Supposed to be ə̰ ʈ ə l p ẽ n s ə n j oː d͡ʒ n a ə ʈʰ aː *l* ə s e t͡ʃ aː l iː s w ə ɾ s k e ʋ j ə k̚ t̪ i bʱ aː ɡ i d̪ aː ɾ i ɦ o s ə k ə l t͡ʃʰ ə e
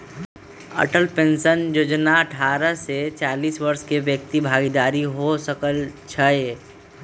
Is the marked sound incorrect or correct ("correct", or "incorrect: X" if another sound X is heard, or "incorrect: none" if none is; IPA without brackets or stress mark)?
incorrect: ɾ